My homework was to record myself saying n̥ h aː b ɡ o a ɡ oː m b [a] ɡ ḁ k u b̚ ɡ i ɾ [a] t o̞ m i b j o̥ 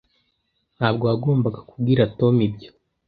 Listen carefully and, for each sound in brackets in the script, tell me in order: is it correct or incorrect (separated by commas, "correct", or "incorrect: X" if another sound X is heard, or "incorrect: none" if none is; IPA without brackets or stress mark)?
correct, correct